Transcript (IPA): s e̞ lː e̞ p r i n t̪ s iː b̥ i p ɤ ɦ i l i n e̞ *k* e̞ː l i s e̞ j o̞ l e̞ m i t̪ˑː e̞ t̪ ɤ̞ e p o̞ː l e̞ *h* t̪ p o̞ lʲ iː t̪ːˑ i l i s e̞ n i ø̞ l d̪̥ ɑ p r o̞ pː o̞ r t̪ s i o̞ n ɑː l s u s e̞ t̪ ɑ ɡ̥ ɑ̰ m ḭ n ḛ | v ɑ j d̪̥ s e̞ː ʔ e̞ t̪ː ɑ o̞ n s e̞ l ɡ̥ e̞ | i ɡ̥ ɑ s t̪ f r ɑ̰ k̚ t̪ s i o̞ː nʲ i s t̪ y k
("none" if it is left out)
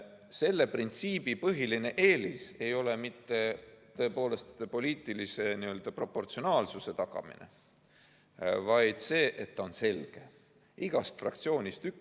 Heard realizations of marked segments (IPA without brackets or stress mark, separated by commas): ʔ, s